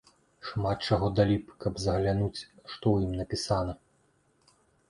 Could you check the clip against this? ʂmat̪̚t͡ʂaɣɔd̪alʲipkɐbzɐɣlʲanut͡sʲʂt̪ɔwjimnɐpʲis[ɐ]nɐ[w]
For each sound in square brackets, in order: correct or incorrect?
incorrect: a, incorrect: none

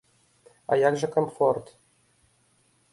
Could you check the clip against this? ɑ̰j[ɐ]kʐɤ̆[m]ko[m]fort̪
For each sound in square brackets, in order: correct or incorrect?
incorrect: ɑ, incorrect: none, correct

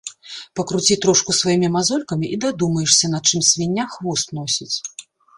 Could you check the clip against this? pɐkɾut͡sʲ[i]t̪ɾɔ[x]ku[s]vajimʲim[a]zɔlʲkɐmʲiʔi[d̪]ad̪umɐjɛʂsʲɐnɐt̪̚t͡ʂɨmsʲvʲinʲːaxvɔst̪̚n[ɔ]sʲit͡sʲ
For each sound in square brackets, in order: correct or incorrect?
correct, incorrect: ʂ, correct, correct, correct, correct

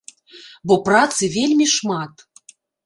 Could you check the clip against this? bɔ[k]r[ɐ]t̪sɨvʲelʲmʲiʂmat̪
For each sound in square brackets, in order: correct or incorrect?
incorrect: p, incorrect: a

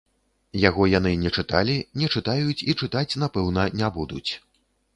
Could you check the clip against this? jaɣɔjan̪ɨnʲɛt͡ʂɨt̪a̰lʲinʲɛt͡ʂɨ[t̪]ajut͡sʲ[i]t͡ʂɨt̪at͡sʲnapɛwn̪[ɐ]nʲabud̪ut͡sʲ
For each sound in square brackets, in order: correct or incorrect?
correct, correct, correct

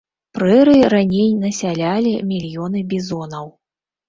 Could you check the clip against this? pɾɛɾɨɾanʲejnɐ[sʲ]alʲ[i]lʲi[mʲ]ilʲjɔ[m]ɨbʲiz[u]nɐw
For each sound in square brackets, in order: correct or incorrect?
correct, incorrect: a, correct, incorrect: n, incorrect: ɔ

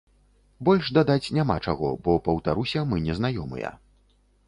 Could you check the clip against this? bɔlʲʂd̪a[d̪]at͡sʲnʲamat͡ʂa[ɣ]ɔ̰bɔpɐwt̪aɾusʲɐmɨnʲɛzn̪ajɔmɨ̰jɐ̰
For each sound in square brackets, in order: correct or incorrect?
correct, correct

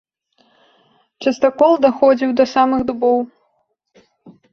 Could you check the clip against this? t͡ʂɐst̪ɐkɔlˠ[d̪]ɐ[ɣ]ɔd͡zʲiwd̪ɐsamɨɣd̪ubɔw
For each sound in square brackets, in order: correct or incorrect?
correct, incorrect: x

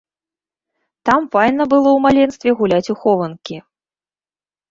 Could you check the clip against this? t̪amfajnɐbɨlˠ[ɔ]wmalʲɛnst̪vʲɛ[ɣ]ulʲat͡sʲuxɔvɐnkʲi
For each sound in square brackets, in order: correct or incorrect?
correct, correct

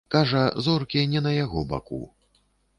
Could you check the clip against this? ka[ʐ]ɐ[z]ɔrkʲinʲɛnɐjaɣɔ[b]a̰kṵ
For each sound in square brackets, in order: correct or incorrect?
correct, correct, correct

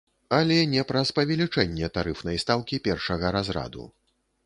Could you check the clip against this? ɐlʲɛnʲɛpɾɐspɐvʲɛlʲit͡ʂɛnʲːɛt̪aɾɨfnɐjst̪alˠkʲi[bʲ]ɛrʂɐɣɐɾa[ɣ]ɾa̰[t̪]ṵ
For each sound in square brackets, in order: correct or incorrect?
incorrect: pʲ, incorrect: z, incorrect: d̪

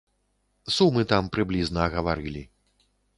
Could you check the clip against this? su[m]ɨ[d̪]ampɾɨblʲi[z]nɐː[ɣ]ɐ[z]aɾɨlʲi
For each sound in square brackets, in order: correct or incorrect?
correct, incorrect: t̪, correct, correct, incorrect: v

